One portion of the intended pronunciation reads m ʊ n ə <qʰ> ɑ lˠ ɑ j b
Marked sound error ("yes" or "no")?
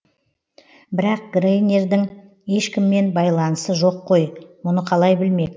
no